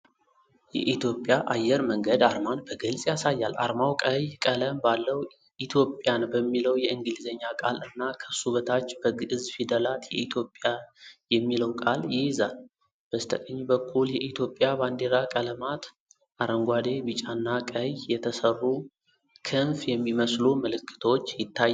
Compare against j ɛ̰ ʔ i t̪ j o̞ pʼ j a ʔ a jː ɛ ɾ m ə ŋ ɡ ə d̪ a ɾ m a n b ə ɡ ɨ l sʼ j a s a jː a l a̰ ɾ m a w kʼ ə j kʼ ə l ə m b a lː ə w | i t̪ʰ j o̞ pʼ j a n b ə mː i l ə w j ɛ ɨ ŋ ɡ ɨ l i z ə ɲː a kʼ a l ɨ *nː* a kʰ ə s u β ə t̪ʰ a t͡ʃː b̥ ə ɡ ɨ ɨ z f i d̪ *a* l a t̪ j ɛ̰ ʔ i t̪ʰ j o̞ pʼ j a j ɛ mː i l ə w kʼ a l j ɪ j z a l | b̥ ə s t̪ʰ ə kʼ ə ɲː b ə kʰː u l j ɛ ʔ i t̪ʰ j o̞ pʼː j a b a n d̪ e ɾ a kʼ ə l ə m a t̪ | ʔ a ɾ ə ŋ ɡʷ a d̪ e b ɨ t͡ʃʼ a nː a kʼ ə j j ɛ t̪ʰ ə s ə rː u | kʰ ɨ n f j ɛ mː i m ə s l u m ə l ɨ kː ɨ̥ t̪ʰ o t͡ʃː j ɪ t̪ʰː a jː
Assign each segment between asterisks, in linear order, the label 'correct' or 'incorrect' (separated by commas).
correct, incorrect